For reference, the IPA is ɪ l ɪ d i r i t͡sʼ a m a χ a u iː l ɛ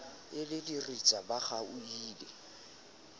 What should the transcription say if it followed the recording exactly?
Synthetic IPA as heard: ɪ l ɪ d i r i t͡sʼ a b a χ a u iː l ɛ